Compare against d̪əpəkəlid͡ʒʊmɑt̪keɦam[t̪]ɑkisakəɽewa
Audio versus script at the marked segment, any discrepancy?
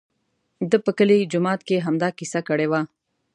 yes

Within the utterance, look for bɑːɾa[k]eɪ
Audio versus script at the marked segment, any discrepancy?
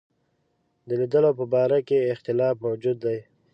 no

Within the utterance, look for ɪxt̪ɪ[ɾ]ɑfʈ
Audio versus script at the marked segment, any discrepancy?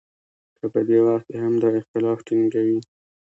yes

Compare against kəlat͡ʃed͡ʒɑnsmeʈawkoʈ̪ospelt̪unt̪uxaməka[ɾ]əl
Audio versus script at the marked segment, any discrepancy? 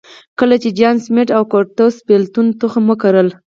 no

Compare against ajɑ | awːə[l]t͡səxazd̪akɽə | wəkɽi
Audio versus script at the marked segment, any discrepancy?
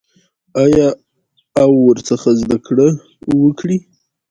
yes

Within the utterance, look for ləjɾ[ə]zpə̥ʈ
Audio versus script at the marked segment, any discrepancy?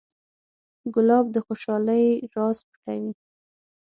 yes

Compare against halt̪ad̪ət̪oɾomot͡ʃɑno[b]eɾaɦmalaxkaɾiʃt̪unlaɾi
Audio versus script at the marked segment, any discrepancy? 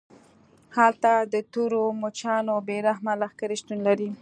no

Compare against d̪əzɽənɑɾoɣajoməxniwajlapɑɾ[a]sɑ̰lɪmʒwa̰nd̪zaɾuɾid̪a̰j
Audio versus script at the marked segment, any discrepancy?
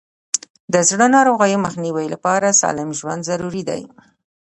no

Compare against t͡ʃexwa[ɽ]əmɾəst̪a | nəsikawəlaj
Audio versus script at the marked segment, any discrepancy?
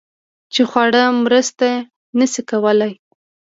no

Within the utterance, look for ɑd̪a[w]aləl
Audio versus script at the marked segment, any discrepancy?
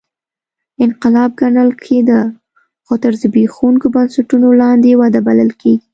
yes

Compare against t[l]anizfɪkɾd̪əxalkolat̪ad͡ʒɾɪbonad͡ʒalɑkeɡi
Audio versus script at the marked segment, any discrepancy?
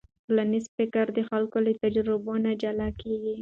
no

